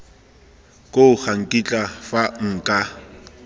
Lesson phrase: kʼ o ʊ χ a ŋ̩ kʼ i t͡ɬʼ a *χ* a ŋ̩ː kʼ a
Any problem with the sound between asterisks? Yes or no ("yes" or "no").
yes